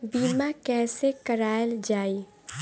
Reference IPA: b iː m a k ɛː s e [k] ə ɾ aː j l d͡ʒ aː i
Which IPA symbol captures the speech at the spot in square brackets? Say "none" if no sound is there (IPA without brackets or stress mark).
k